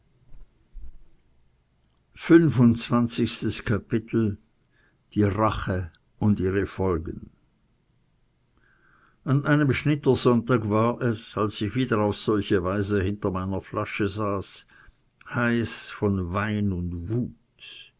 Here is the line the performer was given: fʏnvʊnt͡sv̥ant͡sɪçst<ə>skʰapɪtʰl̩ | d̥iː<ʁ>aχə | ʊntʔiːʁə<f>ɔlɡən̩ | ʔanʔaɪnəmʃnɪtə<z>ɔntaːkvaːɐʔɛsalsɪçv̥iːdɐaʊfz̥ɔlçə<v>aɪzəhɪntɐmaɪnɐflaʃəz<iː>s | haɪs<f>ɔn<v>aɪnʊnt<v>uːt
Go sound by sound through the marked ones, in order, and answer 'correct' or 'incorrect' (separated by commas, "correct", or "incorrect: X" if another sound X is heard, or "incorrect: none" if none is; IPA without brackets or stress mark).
correct, correct, correct, correct, correct, incorrect: aː, correct, correct, correct